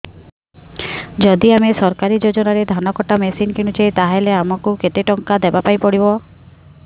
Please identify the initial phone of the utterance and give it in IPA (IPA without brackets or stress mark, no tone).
d͡ʒ